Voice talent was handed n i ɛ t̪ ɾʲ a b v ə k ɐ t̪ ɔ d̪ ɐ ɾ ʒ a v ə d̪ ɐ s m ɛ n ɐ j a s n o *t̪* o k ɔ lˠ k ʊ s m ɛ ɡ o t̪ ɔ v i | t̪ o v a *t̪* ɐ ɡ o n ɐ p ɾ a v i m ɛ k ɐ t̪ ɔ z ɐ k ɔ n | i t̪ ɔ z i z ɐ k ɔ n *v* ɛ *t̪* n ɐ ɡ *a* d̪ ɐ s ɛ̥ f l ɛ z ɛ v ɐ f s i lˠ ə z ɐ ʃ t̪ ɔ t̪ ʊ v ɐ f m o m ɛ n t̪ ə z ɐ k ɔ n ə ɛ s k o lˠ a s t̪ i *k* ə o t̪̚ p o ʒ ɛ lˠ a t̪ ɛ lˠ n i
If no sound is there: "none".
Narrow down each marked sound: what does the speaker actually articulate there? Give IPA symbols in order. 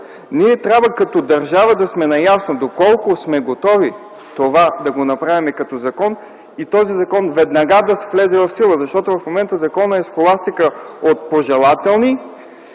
d̪, d̪, v, d̪, a, k

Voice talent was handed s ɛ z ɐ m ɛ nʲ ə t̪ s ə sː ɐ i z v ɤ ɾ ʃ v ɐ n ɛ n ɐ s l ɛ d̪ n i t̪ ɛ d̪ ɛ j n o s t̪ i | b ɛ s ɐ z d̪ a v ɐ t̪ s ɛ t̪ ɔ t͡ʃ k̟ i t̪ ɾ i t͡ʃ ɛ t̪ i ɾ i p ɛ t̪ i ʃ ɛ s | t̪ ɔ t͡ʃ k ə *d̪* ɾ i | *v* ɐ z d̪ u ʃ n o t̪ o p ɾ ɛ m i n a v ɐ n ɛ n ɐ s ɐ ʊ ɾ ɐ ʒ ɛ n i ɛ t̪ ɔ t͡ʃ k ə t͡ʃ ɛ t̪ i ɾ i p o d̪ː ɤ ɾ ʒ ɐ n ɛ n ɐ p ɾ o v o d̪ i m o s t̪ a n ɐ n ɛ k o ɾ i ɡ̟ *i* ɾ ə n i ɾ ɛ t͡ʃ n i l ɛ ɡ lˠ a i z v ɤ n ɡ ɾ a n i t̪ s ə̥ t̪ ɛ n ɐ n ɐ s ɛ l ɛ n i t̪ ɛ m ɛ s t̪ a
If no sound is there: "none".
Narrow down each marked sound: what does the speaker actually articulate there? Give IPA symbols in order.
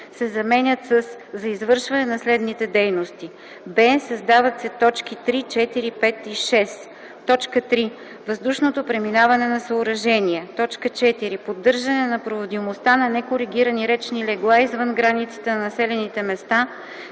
t̪, v, i

